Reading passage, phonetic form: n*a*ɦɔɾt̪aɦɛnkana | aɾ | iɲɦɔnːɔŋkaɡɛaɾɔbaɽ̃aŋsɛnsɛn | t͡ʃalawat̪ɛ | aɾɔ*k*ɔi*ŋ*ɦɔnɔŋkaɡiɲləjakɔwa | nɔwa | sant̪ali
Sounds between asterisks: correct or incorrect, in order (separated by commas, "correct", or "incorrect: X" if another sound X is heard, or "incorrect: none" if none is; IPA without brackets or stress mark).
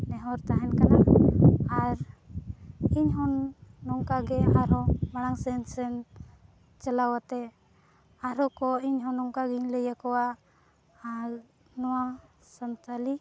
incorrect: ɛ, correct, incorrect: ɲ